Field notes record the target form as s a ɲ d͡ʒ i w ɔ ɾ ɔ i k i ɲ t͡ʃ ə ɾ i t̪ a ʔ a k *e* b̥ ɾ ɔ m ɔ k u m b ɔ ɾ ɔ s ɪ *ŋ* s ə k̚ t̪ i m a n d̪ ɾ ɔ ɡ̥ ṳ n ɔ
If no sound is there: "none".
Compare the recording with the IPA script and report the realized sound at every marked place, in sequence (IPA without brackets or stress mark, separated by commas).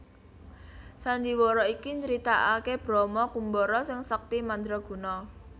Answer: e, ŋ